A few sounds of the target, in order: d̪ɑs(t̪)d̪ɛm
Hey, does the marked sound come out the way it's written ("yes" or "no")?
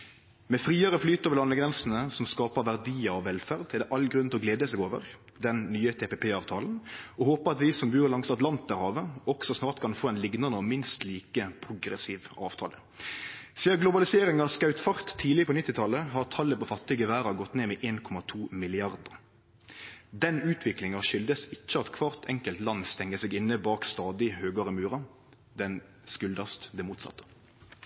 yes